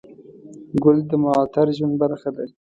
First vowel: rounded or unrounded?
rounded